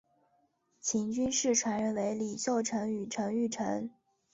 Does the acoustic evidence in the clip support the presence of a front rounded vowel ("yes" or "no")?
yes